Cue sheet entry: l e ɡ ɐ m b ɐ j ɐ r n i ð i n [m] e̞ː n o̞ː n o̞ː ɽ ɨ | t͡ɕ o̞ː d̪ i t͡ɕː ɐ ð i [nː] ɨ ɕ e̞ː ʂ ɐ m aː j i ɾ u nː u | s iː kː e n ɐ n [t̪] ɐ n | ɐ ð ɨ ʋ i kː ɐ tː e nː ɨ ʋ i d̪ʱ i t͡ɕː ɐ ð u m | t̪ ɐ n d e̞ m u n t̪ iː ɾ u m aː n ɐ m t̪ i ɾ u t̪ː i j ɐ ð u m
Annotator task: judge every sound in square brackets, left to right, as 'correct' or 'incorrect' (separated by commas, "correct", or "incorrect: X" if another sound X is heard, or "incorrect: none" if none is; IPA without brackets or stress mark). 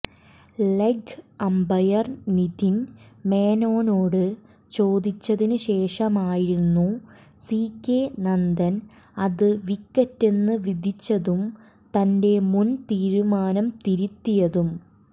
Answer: correct, incorrect: n, incorrect: d̪